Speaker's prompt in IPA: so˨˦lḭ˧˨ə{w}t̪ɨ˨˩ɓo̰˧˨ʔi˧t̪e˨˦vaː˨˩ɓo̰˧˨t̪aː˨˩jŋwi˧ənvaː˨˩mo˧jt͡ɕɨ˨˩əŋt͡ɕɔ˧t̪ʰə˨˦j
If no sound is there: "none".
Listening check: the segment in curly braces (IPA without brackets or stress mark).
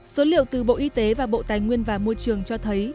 w